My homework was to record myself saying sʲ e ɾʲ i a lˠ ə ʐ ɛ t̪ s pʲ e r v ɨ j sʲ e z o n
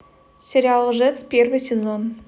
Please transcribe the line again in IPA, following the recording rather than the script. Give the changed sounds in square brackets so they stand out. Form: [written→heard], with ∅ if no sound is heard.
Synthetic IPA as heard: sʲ e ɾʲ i a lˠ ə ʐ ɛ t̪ s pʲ e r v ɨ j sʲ e z o n